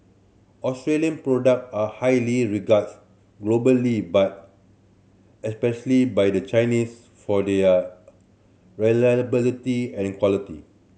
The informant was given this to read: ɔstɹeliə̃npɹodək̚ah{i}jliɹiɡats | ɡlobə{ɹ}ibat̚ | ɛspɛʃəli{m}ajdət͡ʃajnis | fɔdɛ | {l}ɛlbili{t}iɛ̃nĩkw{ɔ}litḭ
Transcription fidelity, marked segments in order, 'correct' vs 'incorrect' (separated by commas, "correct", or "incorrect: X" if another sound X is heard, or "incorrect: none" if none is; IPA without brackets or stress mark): incorrect: a, incorrect: l, incorrect: b, incorrect: ɹ, correct, correct